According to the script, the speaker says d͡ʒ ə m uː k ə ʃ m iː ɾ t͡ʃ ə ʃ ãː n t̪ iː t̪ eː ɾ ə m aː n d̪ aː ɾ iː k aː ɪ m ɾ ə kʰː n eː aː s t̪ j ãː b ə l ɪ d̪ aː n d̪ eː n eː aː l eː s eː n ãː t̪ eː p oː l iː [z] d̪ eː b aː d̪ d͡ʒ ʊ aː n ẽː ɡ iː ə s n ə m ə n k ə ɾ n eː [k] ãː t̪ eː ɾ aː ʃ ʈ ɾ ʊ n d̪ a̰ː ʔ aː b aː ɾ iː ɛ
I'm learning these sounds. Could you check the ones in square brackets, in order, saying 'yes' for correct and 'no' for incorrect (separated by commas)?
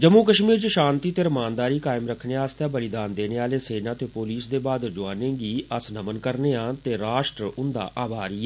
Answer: no, no